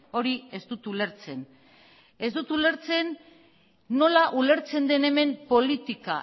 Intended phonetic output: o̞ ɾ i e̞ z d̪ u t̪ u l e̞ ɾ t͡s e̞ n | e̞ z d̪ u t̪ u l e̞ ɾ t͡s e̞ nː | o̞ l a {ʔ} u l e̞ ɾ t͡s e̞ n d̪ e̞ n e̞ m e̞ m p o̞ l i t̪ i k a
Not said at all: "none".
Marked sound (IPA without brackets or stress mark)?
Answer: ʔ